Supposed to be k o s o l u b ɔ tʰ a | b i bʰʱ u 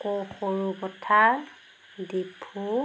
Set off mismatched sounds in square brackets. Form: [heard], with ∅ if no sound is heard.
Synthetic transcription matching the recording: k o [x] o [ɹ] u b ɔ tʰ a | [d] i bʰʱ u